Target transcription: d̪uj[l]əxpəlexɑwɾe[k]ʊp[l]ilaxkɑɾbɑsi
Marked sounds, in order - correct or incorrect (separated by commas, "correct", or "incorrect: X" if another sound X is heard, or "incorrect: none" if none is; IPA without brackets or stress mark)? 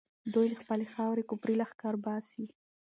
correct, correct, incorrect: ɾ